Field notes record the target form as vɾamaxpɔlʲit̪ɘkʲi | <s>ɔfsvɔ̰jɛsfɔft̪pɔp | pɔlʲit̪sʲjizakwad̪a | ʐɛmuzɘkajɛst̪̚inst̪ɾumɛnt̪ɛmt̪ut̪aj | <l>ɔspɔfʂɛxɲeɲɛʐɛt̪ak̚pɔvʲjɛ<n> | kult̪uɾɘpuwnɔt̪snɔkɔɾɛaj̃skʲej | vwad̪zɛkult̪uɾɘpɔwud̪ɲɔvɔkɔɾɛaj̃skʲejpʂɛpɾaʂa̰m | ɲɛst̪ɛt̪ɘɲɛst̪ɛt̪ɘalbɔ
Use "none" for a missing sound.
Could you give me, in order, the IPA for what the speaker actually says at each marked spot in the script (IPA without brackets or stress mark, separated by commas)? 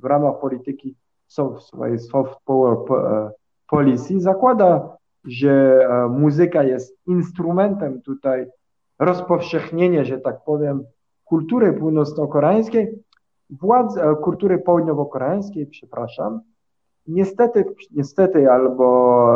s, ɾ, m